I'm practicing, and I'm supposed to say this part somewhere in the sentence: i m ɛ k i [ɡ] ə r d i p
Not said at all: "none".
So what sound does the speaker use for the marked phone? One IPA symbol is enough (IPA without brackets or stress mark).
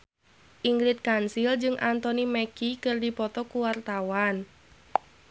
k